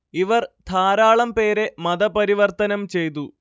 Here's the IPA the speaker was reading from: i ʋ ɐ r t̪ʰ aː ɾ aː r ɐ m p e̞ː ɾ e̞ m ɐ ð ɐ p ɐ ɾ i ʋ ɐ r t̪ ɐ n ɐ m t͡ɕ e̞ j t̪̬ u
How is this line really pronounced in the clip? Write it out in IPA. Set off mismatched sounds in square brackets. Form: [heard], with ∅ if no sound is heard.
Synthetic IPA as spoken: i ʋ ɐ r t̪ʰ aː ɾ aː [ɭ] ɐ m p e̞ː ɾ e̞ m ɐ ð ɐ p ɐ ɾ i ʋ ɐ r t̪ ɐ n ɐ m t͡ɕ e̞ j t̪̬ u